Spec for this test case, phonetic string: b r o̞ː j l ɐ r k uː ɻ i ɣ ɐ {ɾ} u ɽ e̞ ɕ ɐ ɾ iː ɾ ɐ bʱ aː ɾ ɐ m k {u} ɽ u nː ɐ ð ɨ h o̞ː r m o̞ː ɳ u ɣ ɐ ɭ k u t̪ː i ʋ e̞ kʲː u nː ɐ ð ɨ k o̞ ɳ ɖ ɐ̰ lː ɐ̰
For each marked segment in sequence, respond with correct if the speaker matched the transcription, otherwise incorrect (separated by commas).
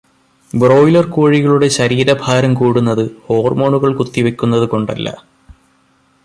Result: incorrect, incorrect